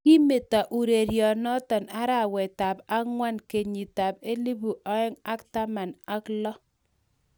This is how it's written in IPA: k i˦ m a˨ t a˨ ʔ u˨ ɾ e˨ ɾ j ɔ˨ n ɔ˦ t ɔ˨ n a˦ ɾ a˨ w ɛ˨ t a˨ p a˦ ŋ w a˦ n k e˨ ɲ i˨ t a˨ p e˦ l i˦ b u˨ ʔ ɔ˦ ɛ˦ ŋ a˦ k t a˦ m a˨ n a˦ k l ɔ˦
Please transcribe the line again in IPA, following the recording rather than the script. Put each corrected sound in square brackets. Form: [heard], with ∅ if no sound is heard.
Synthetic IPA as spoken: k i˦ m [e˨] t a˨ ʔ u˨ ɾ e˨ ɾ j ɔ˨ n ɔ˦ t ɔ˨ n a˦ ɾ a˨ w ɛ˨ t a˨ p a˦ ŋ w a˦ n k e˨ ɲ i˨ t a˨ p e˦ l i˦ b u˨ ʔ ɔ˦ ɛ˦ ŋ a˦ k t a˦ m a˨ n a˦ k l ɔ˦